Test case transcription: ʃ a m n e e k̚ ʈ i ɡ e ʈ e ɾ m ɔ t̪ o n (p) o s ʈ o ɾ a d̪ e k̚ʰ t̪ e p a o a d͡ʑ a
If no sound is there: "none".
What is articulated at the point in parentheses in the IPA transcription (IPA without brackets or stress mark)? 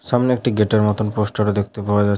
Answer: p